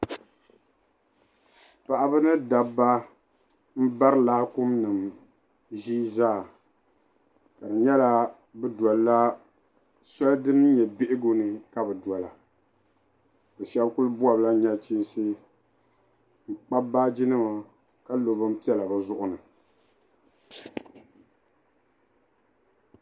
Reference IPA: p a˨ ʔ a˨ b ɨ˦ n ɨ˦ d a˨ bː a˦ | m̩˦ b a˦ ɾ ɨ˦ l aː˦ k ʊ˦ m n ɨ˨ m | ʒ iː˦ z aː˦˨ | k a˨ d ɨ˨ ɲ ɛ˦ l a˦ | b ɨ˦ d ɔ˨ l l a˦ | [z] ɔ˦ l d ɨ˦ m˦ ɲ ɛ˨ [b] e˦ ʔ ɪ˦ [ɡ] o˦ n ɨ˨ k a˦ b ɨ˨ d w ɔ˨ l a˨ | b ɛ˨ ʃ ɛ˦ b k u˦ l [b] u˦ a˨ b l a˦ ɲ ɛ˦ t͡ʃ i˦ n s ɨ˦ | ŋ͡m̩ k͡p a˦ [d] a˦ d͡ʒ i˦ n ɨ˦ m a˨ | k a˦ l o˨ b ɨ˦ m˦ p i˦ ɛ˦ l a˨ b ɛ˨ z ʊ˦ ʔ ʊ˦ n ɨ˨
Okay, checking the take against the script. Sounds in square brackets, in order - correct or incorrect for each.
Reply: incorrect: s, correct, correct, correct, incorrect: b

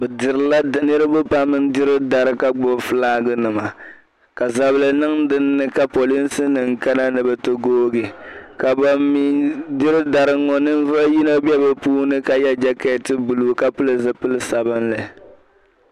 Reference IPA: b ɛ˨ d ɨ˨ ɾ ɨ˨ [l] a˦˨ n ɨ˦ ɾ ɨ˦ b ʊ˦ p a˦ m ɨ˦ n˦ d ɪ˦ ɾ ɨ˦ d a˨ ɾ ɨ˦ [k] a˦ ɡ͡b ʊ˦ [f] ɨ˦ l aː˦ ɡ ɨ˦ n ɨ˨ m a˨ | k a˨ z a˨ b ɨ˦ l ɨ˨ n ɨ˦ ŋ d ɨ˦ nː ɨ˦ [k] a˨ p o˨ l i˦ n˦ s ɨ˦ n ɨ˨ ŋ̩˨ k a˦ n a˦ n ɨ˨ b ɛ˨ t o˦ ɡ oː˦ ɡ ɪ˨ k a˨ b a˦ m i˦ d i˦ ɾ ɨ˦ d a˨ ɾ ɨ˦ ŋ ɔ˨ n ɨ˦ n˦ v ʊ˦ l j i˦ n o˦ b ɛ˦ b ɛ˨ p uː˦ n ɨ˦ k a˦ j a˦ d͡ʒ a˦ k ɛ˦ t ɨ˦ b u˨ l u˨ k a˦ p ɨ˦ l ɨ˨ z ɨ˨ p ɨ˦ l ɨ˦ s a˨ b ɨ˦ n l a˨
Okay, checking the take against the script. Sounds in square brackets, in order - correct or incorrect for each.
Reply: correct, correct, correct, correct

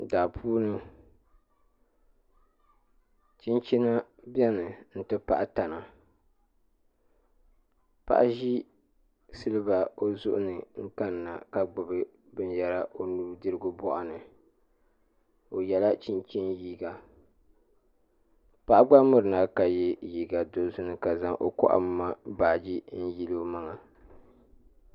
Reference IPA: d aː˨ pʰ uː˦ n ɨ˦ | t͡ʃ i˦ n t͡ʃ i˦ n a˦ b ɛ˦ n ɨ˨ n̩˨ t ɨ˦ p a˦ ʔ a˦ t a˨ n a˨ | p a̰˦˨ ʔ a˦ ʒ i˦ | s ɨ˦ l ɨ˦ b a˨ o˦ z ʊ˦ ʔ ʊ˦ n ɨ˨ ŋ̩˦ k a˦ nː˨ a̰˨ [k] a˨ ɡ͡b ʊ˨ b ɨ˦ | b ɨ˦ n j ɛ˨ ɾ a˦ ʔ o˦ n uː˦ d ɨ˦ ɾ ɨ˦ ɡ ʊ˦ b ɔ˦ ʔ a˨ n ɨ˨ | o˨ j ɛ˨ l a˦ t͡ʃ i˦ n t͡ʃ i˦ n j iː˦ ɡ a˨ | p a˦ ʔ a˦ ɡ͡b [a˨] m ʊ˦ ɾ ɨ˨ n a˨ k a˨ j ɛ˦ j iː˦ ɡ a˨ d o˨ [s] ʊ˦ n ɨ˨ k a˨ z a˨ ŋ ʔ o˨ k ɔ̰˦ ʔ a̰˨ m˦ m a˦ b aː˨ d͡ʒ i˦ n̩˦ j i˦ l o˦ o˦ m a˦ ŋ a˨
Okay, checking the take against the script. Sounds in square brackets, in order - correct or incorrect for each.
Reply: correct, incorrect: a˦, incorrect: z

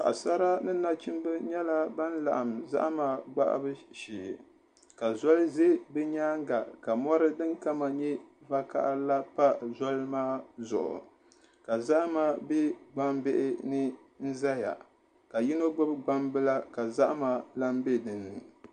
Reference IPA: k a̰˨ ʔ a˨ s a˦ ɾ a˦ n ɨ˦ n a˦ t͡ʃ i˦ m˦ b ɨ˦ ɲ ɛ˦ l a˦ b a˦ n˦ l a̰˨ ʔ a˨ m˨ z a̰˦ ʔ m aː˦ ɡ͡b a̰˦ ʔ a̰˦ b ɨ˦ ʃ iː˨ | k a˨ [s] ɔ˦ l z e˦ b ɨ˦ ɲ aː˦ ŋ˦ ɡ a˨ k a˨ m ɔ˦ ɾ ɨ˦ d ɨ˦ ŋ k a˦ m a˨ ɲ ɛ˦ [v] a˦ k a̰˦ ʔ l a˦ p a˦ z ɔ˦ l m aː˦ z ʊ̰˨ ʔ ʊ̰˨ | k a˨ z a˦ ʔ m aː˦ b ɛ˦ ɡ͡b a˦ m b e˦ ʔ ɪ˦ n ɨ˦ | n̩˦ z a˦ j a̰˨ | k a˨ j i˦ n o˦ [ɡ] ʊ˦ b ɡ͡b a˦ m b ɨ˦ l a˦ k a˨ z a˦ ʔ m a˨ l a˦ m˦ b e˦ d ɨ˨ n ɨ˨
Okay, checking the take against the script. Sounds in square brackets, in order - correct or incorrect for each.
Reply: incorrect: z, correct, incorrect: ɡ͡b

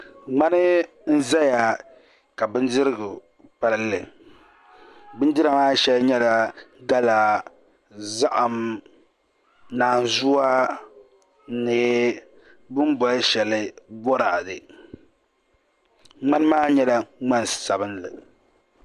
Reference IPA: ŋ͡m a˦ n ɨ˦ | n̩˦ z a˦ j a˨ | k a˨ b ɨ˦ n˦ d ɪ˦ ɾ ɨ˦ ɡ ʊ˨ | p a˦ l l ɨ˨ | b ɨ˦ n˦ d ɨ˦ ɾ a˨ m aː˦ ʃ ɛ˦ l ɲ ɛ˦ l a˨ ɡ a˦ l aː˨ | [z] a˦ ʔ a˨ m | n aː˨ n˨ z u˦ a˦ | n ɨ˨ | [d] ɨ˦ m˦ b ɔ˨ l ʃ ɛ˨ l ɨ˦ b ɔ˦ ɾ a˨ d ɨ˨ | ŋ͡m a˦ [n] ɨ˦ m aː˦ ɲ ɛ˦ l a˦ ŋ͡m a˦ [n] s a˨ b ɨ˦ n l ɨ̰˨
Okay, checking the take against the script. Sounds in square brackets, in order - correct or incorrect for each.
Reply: correct, incorrect: b, correct, correct

